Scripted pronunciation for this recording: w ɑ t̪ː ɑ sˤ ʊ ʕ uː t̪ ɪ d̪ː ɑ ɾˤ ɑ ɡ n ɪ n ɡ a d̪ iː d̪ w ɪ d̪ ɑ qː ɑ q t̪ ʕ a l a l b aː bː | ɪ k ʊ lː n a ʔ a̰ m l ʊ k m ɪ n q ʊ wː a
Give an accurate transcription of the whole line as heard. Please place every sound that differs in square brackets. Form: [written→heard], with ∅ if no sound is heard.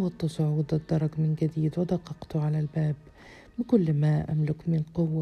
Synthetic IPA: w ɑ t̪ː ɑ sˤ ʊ ʕ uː [t̪→d̪] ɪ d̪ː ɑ ɾˤ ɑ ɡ [n→m] ɪ n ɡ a d̪ iː d̪ w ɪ d̪ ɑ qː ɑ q t̪ ʕ a l a l b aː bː | ɪ k ʊ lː [n→m] a ʔ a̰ m l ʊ k m ɪ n q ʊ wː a